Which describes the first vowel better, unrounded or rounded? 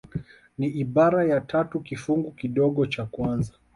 unrounded